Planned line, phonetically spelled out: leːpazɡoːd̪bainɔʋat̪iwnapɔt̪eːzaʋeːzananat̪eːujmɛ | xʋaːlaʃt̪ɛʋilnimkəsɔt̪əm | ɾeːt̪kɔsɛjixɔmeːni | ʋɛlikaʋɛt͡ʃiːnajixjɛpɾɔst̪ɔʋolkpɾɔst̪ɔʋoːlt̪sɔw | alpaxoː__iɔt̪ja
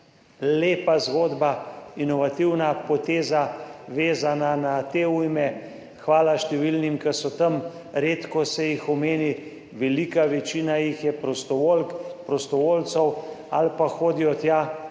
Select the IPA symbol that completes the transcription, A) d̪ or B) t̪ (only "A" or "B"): A